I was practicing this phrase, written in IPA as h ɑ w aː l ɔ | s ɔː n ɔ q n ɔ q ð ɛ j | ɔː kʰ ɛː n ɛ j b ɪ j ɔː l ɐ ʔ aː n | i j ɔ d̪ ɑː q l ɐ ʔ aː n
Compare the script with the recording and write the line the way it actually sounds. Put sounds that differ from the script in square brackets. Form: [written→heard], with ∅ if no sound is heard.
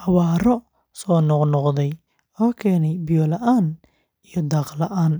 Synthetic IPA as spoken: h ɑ w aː [l→ɾ] ɔ | s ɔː n ɔ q n ɔ q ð ɛ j | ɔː kʰ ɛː n ɛ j b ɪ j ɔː l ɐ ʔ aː n | i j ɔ d̪ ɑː q l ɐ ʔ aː n